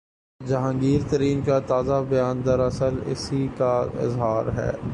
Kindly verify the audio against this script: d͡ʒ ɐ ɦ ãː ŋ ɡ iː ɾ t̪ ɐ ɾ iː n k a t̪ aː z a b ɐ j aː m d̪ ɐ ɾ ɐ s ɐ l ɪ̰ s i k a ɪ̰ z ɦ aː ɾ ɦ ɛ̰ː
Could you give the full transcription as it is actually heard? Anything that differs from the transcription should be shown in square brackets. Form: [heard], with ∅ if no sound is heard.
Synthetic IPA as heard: d͡ʒ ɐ ɦ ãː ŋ ɡ iː ɾ t̪ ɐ ɾ iː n k a t̪ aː z a b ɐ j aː [n] d̪ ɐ ɾ ɐ s [ə] l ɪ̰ s i k a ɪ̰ z ɦ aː ɾ ɦ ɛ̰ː